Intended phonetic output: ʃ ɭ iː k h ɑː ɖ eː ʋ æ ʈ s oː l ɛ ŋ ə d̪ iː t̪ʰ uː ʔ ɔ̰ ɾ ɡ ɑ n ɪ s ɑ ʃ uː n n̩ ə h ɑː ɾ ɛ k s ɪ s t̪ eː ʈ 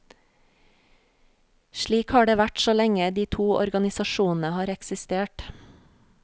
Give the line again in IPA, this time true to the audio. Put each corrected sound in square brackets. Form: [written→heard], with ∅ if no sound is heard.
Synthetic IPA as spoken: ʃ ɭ iː k h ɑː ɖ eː ʋ æ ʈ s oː l ɛ ŋ ə d̪ iː t̪ʰ uː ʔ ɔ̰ ɾ ɡ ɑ n ɪ s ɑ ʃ uː n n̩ ə h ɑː ɾ ɛ k s ɪ s t̪ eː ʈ